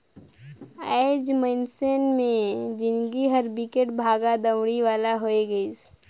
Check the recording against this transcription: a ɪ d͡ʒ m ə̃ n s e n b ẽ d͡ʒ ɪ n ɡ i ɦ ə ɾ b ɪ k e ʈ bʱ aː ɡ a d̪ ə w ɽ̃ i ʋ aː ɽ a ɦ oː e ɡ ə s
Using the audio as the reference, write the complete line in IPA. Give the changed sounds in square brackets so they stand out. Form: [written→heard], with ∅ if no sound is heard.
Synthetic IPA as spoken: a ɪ d͡ʒ m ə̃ n s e n [b→m] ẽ d͡ʒ ɪ n ɡ i ɦ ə ɾ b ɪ k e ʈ bʱ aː ɡ a d̪ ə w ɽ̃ i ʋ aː [ɽ→l] a ɦ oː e ɡ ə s